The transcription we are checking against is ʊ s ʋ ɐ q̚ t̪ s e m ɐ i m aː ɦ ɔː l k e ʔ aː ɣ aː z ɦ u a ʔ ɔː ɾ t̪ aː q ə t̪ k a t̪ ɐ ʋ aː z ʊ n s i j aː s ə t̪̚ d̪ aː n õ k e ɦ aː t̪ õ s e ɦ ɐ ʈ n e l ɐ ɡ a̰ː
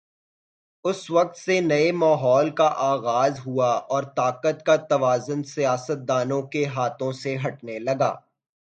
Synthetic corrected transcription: ʊ s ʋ ɐ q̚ t̪ s e n ɐ e m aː ɦ ɔː l k a ʔ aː ɣ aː z ɦ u a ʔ ɔː ɾ t̪ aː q ə t̪ k a t̪ ɐ ʋ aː z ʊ n s i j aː s ə t̪̚ d̪ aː n õ k e ɦ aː t̪ õ s e ɦ ɐ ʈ n e l ɐ ɡ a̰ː